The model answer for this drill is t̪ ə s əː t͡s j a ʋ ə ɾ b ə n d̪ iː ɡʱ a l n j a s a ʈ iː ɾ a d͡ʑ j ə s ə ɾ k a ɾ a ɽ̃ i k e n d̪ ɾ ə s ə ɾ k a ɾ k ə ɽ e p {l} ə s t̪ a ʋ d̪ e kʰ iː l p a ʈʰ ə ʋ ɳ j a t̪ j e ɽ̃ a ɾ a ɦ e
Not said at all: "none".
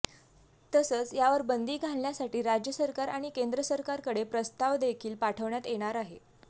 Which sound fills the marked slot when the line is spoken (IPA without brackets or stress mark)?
ɾ